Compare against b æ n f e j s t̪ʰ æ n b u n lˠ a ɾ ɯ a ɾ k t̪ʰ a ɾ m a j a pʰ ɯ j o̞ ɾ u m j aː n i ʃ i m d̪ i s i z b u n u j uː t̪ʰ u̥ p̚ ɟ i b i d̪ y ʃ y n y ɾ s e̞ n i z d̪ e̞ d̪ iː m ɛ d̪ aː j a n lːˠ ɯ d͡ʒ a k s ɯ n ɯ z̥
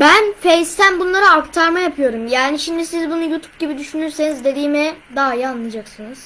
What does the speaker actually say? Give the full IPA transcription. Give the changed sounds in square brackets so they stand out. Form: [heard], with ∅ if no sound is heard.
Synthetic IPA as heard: b æ n f e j s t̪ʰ æ n b u n lˠ a ɾ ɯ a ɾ k t̪ʰ a ɾ m a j a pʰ ɯ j o̞ ɾ u m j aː n i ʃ i m d̪ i s i z b u n u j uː t̪ʰ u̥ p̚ ɟ i b i d̪ y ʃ y n y ɾ s e̞ n i z d̪ e̞ d̪ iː m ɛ d̪ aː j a n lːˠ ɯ d͡ʒ a k s ɯ n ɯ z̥